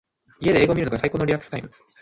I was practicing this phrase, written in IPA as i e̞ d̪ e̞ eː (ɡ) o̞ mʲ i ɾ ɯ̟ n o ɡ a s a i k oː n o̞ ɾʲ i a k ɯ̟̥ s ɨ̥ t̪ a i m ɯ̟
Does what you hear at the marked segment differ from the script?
no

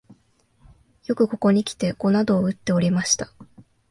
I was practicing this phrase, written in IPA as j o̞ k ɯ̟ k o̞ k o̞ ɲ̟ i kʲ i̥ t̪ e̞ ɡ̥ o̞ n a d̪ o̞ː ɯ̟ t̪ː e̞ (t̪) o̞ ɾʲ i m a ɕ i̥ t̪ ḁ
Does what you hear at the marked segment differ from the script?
yes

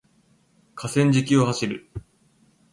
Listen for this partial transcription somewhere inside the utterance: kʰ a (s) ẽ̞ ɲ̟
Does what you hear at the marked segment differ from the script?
no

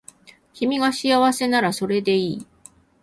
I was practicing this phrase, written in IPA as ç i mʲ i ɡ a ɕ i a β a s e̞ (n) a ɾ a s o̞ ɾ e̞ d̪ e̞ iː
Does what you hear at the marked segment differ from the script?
no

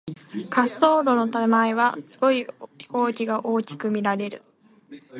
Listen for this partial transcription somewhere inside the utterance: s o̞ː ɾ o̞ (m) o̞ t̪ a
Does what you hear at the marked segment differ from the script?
yes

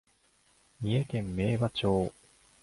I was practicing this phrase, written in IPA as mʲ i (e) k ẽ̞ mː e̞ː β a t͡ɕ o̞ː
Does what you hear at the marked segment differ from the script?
no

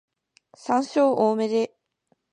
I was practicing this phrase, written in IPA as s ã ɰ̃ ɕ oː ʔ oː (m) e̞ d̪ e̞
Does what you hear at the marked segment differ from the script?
no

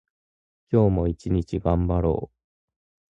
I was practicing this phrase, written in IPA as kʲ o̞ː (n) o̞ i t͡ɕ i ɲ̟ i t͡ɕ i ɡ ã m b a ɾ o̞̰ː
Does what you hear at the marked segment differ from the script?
yes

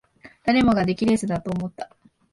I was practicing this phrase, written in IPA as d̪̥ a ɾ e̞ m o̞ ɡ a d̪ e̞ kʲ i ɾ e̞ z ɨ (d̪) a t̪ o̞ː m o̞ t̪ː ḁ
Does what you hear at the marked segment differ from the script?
no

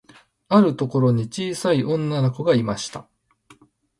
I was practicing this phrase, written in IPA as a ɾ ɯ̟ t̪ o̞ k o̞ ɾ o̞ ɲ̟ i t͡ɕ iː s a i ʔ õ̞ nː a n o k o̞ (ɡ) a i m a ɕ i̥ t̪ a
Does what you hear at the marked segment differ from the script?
no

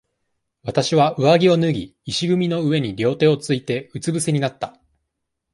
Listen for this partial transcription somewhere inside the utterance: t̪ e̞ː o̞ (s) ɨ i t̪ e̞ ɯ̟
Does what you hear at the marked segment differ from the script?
yes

